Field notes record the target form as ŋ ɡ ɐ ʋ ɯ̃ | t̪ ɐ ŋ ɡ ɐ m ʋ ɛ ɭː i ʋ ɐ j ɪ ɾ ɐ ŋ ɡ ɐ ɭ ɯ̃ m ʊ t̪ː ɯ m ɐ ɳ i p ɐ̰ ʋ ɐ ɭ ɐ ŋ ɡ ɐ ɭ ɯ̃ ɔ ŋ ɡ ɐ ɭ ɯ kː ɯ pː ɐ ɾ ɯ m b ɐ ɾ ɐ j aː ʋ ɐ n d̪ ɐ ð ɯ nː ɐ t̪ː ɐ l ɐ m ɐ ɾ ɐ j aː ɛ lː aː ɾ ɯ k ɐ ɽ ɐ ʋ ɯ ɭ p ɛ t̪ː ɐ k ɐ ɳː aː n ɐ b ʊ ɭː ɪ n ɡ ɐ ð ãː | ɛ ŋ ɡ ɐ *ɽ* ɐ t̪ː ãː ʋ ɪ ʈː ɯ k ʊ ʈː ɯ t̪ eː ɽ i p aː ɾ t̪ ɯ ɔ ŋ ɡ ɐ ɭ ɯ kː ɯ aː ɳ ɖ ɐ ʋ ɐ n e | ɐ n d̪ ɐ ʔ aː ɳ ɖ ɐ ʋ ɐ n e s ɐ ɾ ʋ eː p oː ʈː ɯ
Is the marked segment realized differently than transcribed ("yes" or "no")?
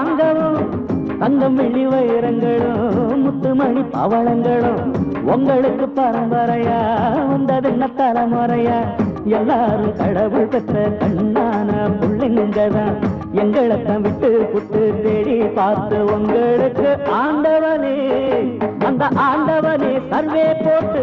yes